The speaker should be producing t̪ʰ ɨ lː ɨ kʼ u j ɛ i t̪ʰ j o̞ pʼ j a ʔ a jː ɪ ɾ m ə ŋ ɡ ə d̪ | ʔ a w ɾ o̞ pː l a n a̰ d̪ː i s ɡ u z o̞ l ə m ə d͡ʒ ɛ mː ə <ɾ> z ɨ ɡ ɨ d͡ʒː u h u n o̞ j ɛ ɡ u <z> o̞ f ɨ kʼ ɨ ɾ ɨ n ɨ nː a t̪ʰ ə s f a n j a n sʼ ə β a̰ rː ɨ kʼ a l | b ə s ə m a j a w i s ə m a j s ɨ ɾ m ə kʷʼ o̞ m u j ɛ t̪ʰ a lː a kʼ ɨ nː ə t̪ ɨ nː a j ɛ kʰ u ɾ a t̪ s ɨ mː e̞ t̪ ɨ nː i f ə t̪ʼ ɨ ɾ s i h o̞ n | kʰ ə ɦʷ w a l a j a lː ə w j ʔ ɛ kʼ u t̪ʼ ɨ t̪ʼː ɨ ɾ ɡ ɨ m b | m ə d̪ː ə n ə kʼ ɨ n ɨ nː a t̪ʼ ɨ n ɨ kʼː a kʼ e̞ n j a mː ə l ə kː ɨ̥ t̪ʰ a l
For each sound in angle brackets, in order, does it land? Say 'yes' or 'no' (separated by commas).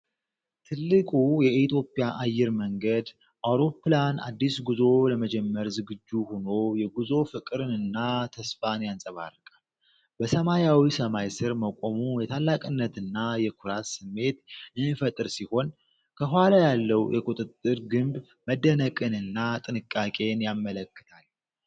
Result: yes, yes